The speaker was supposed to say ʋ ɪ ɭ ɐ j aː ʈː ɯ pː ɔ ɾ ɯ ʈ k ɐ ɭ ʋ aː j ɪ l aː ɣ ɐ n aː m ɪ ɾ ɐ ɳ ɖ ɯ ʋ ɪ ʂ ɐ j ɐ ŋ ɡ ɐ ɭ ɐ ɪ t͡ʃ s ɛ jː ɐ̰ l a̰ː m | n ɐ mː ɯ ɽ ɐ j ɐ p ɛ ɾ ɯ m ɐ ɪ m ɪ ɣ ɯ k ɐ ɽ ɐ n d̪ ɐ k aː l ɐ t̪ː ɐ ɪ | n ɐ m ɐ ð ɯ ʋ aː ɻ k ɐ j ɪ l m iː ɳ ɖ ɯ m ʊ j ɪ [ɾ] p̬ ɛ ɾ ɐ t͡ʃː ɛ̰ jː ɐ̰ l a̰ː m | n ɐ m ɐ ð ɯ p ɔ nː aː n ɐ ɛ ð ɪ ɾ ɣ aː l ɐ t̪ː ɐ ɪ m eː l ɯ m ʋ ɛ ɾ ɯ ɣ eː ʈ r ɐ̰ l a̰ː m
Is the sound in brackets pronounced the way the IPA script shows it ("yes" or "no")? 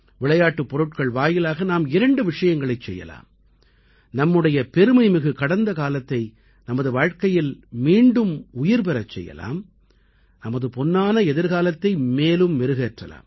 yes